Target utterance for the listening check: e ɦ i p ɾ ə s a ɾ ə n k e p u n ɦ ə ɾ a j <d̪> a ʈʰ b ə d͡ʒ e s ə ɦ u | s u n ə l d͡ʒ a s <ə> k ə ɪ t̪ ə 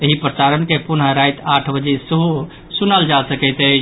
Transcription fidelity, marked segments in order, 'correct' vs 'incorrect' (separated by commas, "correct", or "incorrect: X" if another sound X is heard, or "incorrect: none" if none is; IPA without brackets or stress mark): incorrect: t̪, correct